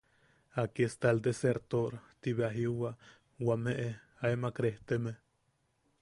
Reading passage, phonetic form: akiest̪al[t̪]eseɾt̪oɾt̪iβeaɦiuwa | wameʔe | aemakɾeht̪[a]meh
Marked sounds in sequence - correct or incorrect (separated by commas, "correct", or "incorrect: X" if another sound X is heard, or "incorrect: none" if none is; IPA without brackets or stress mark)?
incorrect: d̪, incorrect: e